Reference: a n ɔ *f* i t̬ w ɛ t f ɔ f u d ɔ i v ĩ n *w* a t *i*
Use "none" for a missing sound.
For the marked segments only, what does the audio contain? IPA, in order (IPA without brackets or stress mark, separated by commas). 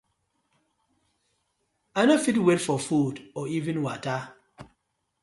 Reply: f, w, a